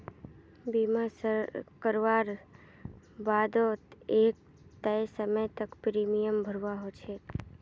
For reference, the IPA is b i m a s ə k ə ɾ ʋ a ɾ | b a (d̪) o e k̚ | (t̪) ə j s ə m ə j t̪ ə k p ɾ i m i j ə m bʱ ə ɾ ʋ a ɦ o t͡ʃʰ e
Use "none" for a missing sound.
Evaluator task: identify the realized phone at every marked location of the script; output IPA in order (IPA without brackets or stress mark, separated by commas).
d̪, t̪